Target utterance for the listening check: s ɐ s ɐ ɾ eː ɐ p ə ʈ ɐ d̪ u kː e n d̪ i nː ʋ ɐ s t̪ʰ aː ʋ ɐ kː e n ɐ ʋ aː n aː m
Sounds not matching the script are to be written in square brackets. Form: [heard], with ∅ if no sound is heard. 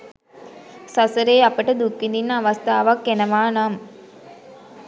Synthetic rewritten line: s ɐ s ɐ ɾ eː ɐ p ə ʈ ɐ d̪ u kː [i] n d̪ i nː ʋ ɐ s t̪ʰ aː ʋ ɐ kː e n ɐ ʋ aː n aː m

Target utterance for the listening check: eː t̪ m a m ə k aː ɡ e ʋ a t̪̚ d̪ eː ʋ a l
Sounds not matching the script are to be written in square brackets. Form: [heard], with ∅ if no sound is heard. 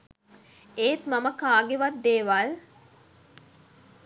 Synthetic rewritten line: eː t̪ m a m ə k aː ɡ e ʋ a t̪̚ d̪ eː ʋ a l

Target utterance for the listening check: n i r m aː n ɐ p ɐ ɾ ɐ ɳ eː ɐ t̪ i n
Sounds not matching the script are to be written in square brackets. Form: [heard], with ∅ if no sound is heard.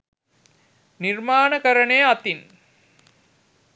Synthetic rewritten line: n i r m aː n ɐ [k] ɐ ɾ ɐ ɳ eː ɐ t̪ i n

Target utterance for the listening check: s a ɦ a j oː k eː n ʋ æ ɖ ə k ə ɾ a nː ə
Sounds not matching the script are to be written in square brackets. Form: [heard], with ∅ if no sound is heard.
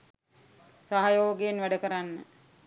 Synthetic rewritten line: s a ɦ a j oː [ɡ] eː n ʋ æ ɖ ə k ə ɾ a nː ə

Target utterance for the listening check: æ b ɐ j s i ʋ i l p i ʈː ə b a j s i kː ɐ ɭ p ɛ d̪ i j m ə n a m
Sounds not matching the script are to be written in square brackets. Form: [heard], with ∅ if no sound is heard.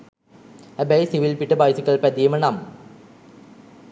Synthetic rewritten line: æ b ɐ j s i ʋ i l p i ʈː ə b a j s i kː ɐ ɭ p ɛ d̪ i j m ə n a m

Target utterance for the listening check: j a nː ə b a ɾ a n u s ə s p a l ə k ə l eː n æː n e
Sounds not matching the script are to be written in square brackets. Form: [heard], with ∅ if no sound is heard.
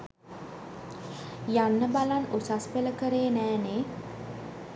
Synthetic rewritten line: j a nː ə b a [l] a n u s [a] s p [e] l ə k ə [ɾ] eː n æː n e

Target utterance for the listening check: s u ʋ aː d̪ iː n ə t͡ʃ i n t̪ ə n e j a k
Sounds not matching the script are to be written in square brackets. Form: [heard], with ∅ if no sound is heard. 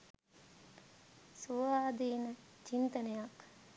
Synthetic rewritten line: s u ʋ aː d̪ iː n ə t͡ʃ i n t̪ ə n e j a k

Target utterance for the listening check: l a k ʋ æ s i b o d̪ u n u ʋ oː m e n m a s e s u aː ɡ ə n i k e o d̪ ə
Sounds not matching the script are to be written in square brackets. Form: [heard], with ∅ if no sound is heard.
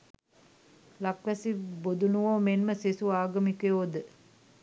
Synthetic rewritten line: l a k ʋ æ s i b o d̪ u n u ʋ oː m e n m [ə] s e s u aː ɡ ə [m] i k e o d̪ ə

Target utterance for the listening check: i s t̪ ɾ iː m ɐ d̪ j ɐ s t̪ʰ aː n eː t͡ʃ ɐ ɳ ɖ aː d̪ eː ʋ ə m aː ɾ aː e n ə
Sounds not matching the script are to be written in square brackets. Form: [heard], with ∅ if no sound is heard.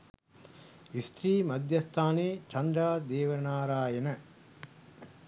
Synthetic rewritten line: i s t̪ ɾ iː m ɐ d̪ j ɐ s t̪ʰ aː n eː t͡ʃ ɐ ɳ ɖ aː d̪ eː ʋ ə [n] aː ɾ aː e n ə

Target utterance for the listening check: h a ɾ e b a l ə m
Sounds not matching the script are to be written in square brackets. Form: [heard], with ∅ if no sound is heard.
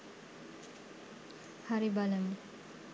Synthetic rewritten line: h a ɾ [i] b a l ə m

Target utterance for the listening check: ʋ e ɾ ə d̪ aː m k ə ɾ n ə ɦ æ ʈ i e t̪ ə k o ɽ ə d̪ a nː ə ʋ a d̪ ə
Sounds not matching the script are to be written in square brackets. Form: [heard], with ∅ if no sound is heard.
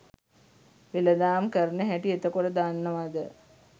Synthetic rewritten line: ʋ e [l] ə d̪ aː m k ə ɾ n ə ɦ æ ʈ i e t̪ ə k o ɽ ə d̪ a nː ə ʋ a d̪ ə

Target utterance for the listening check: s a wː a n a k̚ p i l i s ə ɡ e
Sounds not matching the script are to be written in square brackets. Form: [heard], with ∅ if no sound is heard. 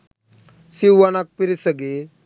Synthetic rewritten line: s [i] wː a n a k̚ p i [ɾ] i s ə ɡ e

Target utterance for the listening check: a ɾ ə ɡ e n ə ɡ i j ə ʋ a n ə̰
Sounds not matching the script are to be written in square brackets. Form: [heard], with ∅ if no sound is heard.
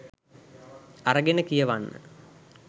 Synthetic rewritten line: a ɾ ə ɡ e n ə [k] i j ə ʋ a [nː] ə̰

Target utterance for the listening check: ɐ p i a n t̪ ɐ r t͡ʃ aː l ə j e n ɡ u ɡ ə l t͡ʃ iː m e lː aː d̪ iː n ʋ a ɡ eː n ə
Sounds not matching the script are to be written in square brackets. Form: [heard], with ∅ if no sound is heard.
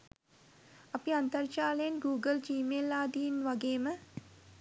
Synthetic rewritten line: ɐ p i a n t̪ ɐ r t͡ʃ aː l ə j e n ɡ [uː] ɡ ə l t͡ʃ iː m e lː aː d̪ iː n ʋ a ɡ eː [m] ə

